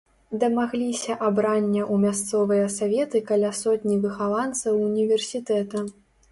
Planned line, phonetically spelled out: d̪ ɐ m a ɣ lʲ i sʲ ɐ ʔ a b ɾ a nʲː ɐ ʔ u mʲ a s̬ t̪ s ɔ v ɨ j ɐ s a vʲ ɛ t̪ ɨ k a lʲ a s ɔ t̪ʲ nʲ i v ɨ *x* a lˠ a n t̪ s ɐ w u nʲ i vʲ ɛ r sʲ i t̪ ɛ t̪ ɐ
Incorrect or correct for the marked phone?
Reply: correct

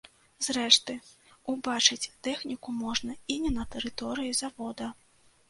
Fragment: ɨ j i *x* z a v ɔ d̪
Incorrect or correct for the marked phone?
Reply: incorrect: none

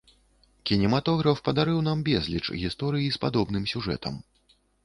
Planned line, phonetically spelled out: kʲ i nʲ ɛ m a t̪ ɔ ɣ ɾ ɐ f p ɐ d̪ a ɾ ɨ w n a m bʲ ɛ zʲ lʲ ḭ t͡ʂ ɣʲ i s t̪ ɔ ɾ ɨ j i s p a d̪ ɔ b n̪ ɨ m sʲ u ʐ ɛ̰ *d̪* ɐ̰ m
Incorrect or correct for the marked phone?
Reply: incorrect: t̪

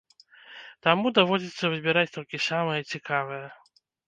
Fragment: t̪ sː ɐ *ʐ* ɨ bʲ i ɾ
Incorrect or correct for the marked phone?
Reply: incorrect: v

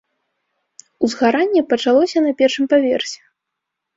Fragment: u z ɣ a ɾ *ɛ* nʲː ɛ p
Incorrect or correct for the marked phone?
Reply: incorrect: a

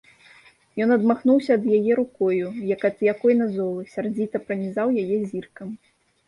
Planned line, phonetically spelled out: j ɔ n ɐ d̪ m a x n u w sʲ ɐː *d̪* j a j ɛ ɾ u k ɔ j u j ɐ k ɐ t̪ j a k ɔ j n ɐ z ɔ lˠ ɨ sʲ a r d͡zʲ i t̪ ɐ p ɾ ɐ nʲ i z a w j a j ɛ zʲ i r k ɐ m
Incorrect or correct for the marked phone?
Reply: correct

